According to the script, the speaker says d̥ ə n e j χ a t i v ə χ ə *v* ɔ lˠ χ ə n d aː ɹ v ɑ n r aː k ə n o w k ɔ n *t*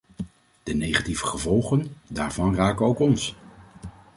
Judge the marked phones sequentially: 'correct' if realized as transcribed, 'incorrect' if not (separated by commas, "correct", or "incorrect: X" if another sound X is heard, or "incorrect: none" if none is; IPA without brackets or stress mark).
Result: correct, incorrect: s